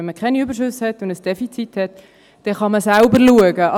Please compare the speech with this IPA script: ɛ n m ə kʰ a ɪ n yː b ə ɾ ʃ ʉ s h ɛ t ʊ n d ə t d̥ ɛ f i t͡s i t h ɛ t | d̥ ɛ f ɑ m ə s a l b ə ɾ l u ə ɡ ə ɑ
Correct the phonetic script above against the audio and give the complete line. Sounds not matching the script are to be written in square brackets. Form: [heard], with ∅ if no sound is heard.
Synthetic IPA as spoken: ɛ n m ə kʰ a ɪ n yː b ə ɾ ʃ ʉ s h ɛ t ʊ n d ə [s] d̥ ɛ f i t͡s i t h ɛ t | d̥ ɛ [χ] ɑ m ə s a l b ə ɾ l u ə ɡ ə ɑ